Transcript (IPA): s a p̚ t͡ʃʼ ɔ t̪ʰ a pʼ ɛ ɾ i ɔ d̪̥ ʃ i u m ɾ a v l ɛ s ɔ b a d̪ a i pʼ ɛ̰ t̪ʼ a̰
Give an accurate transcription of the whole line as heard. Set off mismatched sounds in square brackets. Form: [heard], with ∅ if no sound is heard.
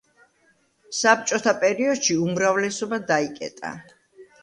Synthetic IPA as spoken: s a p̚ t͡ʃʼ ɔ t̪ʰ a pʼ ɛ ɾ i ɔ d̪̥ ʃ i u m ɾ a v l ɛ s ɔ b a d̪ a i [kʼ] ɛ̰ t̪ʼ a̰